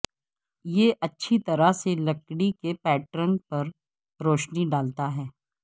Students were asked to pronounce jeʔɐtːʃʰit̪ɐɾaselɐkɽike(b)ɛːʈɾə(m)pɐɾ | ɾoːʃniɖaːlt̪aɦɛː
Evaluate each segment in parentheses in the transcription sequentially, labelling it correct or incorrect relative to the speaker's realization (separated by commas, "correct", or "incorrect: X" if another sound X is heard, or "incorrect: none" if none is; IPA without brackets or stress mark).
incorrect: p, incorrect: n